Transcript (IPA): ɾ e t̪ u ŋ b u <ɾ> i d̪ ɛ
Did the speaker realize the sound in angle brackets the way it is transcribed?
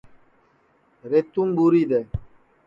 yes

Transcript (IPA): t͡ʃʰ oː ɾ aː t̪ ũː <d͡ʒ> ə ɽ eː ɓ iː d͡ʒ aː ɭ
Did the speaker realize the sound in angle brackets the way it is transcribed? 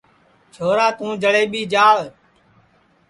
yes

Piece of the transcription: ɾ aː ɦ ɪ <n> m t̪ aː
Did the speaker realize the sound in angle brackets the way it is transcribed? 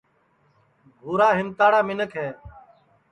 no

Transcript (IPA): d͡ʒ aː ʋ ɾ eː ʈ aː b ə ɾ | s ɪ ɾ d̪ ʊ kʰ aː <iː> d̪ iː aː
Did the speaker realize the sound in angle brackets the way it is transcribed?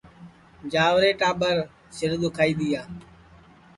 yes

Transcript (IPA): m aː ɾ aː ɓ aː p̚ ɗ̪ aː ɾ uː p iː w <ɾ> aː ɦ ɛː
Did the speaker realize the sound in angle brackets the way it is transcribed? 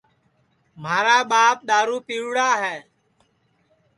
no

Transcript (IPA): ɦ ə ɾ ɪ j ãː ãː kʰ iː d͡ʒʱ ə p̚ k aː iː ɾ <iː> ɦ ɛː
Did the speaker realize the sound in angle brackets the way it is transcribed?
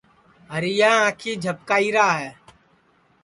no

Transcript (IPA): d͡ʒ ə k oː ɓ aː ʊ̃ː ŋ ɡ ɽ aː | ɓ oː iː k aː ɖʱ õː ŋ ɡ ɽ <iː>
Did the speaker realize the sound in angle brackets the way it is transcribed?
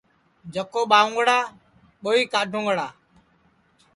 no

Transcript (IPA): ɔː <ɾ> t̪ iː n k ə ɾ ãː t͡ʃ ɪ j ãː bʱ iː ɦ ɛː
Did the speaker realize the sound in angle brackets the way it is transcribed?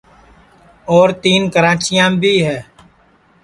yes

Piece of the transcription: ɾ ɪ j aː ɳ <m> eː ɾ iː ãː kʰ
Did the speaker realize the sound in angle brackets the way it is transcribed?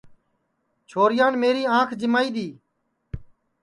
yes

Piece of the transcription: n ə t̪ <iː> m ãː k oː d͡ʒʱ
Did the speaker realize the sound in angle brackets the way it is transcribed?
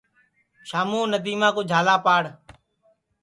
yes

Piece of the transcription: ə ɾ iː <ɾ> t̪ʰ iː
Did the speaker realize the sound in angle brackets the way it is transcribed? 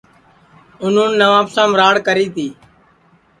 no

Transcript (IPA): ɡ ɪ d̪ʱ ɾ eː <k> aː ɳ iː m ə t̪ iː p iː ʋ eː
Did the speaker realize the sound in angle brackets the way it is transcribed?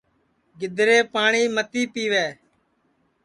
no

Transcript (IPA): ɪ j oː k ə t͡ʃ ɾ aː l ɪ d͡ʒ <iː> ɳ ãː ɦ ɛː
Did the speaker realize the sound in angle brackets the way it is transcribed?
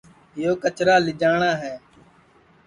no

